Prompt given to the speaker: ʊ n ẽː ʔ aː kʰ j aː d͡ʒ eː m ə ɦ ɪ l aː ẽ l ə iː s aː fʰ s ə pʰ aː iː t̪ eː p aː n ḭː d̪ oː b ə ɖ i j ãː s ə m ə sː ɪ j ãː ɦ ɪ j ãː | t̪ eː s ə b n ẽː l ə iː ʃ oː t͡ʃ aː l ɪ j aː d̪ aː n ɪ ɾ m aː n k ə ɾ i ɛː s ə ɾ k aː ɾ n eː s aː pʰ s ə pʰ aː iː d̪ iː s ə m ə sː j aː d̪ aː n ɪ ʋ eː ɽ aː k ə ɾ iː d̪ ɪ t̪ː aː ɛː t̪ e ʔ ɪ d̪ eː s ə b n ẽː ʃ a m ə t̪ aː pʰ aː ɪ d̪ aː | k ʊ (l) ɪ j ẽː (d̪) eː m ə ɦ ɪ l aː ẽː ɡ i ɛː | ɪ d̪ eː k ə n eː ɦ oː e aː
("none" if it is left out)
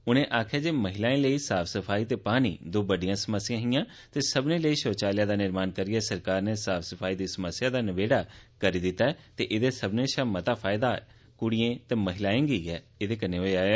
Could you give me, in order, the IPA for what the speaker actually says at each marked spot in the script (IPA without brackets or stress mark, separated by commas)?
ɽ, t̪